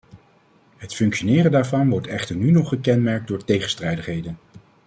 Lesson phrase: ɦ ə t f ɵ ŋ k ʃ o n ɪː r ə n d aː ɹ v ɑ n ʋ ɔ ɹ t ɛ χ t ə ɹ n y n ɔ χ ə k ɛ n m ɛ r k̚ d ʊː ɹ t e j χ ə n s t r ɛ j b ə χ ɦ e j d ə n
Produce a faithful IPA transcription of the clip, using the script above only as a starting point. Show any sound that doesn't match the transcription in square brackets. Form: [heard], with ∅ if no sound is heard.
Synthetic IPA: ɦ ə t f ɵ ŋ k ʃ o n ɪː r ə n d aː ɹ v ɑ n ʋ ɔ ɹ t ɛ χ t ə ɹ n y n ɔ χ ə k ɛ n m ɛ [ɹ] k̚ d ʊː ɹ t e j χ ə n s t r ɛ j [d] ə χ ɦ e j d ə n